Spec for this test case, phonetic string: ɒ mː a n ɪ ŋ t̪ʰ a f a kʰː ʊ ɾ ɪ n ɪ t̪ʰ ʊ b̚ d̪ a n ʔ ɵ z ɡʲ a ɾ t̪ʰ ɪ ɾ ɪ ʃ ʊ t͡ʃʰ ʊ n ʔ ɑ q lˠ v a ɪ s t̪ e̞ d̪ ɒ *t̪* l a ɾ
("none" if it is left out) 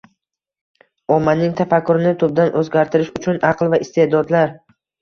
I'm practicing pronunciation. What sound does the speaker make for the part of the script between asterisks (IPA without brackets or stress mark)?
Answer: d̪